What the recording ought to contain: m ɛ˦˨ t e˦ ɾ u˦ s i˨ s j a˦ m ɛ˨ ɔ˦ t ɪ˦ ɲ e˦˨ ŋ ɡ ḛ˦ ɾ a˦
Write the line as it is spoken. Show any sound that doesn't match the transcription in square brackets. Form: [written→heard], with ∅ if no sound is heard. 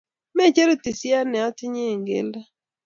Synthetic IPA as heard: m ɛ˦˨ [t→t͡ʃ] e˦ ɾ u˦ [s→t] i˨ s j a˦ [m→n] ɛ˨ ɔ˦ t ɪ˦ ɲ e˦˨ ŋ ɡ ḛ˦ [ɾ→l] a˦